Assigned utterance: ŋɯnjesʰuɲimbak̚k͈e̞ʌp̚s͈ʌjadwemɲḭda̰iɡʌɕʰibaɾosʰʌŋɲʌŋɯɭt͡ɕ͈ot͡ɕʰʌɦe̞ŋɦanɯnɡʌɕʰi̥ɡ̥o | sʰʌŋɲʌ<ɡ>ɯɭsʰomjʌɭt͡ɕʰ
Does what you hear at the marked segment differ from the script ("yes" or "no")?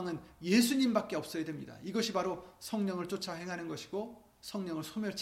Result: yes